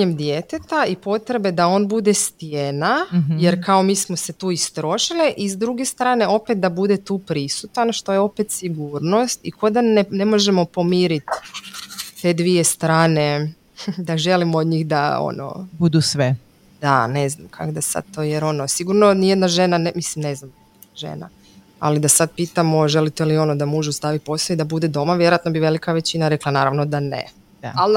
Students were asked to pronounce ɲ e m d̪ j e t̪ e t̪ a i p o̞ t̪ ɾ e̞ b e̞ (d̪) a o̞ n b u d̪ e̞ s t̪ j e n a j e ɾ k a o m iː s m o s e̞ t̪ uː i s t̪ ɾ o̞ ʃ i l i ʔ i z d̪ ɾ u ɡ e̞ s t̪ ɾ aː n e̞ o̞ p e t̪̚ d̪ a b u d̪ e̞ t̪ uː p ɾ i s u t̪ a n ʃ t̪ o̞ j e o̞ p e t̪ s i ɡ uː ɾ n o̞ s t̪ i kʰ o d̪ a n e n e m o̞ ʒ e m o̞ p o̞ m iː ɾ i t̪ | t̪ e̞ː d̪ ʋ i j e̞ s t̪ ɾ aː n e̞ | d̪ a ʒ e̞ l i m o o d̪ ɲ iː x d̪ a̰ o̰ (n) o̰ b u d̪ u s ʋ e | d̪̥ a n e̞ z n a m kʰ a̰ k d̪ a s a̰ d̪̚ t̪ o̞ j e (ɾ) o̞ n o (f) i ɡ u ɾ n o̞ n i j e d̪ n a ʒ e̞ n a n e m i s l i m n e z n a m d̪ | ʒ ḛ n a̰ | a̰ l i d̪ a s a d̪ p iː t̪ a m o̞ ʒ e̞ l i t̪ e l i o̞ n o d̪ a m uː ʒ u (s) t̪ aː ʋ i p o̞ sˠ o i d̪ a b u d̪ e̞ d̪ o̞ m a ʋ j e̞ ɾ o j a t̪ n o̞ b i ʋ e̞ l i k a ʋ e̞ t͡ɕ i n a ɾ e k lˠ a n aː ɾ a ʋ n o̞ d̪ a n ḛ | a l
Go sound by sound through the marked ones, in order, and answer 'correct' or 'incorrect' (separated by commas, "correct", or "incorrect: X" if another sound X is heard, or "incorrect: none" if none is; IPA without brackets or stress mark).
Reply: correct, correct, correct, incorrect: s, correct